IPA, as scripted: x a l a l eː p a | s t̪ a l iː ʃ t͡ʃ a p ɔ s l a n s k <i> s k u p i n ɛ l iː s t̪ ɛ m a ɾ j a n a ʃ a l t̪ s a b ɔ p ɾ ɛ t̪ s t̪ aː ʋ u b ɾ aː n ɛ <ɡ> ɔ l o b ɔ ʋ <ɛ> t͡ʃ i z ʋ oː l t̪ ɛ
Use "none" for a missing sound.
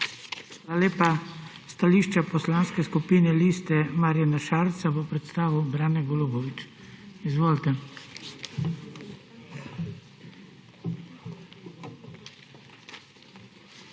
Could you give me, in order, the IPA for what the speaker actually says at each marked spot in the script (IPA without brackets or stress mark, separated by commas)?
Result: ɛ, ɡ, i